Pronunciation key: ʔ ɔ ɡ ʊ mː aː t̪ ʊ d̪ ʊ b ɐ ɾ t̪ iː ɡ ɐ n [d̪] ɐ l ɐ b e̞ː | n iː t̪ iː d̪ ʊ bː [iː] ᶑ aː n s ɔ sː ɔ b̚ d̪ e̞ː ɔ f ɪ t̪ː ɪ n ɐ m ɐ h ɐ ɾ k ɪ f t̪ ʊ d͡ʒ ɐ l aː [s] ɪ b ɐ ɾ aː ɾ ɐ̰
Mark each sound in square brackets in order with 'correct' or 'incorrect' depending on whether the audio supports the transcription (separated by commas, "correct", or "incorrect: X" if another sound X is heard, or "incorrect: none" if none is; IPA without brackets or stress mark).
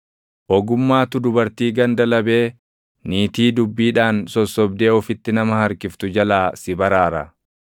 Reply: correct, correct, correct